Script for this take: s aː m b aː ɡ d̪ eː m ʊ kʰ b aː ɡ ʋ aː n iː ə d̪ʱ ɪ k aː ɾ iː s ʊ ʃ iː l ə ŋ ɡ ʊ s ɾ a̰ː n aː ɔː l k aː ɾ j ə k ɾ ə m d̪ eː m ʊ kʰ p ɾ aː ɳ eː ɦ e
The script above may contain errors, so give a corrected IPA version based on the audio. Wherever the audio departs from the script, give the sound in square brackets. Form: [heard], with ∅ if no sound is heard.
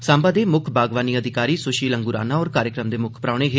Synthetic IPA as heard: s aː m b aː [∅] d̪ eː m ʊ kʰ b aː ɡ ʋ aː n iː ə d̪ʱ ɪ k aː ɾ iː s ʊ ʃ iː l ə ŋ ɡ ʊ [∅] ɾ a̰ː n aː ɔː [ɾ] k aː ɾ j ə k ɾ ə m d̪ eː m ʊ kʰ p ɾ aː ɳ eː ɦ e